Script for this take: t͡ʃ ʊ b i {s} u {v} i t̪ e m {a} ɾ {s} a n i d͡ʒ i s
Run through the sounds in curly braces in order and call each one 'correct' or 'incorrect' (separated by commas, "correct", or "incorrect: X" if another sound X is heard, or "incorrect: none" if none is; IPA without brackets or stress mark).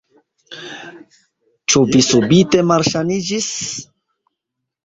correct, incorrect: b, correct, incorrect: ʃ